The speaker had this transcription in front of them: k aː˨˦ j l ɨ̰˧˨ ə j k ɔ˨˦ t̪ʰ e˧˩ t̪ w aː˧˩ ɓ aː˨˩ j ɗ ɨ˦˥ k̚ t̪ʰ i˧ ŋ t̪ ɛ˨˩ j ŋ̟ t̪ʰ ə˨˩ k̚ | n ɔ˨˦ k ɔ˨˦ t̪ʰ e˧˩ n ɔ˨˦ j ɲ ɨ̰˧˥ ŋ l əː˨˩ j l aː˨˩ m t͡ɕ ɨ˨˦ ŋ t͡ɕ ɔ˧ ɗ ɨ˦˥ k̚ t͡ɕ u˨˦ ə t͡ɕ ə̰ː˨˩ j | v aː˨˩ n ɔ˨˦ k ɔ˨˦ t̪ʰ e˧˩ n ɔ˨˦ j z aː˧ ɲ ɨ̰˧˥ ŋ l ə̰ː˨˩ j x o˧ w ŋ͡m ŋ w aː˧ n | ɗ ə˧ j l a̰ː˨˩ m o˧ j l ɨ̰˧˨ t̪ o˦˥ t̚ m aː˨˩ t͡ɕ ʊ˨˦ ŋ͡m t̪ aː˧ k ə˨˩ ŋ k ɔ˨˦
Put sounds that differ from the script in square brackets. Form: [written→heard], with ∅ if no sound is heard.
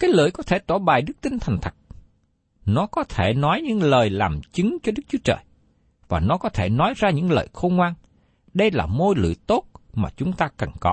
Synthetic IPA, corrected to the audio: k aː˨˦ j l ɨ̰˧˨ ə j k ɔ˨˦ t̪ʰ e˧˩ t̪ w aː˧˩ ɓ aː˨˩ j ɗ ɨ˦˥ k̚ [t̪ʰ→t̪] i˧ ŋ [t̪→t̪ʰ] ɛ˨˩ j ŋ̟ t̪ʰ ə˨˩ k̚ | n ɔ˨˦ k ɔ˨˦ t̪ʰ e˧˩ n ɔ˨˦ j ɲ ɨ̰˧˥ ŋ l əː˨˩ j l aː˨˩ m t͡ɕ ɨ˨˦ ŋ t͡ɕ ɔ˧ ɗ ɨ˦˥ k̚ t͡ɕ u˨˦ ə t͡ɕ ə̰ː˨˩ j | v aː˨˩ n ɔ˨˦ k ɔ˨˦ t̪ʰ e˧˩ n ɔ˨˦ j z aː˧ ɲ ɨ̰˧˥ ŋ l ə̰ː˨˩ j x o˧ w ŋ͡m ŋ w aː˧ n | ɗ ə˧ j l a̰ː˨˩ m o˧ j l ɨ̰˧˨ t̪ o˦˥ t̚ m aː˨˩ t͡ɕ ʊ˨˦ ŋ͡m t̪ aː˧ k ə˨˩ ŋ k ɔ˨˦